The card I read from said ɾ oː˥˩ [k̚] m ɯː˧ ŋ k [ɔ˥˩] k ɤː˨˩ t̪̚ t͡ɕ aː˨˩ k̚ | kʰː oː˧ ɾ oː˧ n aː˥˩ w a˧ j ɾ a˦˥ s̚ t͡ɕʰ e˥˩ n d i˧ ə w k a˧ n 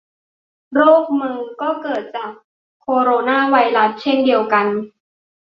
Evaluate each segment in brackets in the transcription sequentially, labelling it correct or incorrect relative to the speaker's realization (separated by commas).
correct, incorrect